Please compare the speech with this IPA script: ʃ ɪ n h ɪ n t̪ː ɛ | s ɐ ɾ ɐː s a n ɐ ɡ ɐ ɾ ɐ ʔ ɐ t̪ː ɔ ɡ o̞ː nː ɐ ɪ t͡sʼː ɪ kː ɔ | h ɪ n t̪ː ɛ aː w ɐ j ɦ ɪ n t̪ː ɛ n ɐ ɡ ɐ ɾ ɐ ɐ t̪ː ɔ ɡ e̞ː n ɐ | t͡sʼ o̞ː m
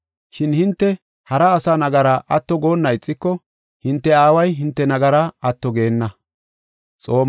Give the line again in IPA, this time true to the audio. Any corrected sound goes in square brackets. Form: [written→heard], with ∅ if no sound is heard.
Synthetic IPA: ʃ ɪ n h ɪ n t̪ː ɛ | [s→h] ɐ ɾ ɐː s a n ɐ ɡ ɐ ɾ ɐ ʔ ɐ t̪ː ɔ ɡ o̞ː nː ɐ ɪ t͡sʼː ɪ kː ɔ | h ɪ n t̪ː ɛ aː w ɐ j ɦ ɪ n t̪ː ɛ n ɐ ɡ ɐ ɾ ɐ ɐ t̪ː ɔ ɡ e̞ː [n→nː] ɐ | t͡sʼ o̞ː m

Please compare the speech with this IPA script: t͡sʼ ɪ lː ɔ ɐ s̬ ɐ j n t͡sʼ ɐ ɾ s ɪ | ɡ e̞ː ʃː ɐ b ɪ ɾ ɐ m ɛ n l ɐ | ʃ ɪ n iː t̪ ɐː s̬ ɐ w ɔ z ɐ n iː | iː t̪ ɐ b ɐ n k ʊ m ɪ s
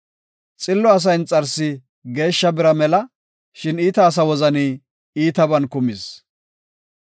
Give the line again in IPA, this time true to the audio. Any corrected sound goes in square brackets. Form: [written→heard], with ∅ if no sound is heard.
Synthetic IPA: t͡sʼ ɪ lː ɔ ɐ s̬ ɐ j n t͡sʼ ɐ ɾ s ɪ | ɡ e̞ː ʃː ɐ b ɪ ɾ ɐ m ɛ [n→∅] l ɐ | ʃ ɪ n iː t̪ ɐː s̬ ɐ w ɔ z ɐ n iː | iː t̪ ɐ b ɐ n k ʊ m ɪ s

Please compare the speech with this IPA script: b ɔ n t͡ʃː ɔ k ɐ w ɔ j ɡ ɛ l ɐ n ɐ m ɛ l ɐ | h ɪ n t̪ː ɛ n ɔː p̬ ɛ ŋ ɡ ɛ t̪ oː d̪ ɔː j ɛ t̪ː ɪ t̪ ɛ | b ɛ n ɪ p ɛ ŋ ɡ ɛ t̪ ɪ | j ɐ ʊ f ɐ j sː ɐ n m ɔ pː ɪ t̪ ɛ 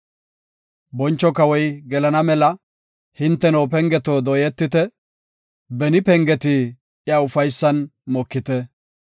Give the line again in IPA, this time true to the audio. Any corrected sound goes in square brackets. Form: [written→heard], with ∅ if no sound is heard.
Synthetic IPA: b ɔ n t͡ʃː ɔ k ɐ w ɔ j ɡ ɛ l ɐ n ɐ m ɛ l ɐ | h ɪ n t̪ː ɛ n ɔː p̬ ɛ ŋ ɡ ɛ t̪ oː d̪ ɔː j ɛ t̪ː ɪ t̪ ɛ | b ɛ n ɪ p ɛ ŋ ɡ ɛ t̪ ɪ | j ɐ ʊ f ɐ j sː ɐ n m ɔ [pː→kː] ɪ t̪ ɛ

